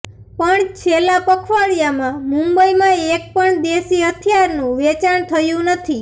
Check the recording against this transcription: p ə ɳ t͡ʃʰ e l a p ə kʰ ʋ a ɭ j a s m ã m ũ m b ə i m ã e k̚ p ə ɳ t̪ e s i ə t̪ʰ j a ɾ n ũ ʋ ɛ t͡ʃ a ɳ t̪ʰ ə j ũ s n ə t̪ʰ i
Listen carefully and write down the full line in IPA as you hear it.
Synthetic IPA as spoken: p ə ɳ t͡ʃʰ e l a p ə kʰ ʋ a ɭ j a m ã m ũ m b ə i m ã e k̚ p ə ɳ d̪ e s i ə t̪ʰ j a ɾ n ũ ʋ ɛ t͡ʃ a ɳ t̪ʰ ə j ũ n ə t̪ʰ i

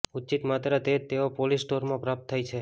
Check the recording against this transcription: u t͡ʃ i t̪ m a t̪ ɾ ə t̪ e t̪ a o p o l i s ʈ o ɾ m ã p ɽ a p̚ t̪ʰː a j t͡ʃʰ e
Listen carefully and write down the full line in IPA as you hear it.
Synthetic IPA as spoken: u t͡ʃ i t̪ m a t̪ ɾ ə t̪ e t̪ e o p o l i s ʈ o ɾ m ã p ɾ a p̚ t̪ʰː a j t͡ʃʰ e

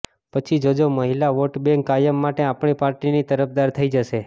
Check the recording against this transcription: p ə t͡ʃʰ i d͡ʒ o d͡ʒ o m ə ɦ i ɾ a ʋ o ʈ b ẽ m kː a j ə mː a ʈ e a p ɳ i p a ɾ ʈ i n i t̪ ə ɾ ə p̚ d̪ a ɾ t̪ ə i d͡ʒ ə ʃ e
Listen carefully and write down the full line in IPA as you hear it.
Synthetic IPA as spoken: p ə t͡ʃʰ i d͡ʒ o d͡ʒ o m ə ɦ i l a ʋ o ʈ b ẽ ŋ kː a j ə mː a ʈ e a p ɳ i p a ɾ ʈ i n i t̪ ə ɾ ə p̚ d̪ a ɾ t̪ʰ ə i d͡ʒ ə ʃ e

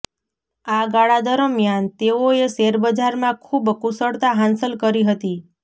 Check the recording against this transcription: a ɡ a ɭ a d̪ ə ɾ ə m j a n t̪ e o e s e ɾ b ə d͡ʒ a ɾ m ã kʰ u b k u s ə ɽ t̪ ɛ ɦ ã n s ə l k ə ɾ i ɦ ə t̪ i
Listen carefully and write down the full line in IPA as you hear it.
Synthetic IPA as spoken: a ɡ a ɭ a d̪ ə ɾ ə m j a n t̪ e o e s e ɾ b ə d͡ʒ a ɾ m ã kʰ u b k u s ə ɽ t̪ a ɦ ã n s ə l k ə ɾ i ɦ ə t̪ i

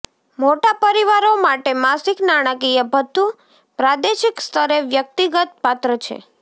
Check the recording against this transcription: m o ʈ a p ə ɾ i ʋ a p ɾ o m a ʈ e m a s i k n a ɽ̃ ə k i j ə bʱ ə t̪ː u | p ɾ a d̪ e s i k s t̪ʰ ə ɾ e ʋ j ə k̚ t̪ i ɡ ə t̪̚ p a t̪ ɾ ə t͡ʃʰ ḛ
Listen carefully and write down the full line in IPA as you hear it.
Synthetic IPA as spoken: m o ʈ a p ə ɾ i ʋ a ɾ o m a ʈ e m a s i k n a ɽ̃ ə k i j ə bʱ ə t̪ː u | p ɾ a d̪ e ʃ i k s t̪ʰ ə ɾ e ʋ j ə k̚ t̪ i ɡ ə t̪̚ p a t̪ ɾ ə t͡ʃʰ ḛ

